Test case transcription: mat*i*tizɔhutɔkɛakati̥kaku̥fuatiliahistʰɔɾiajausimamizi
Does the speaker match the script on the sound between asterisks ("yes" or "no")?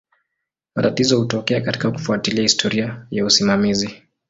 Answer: no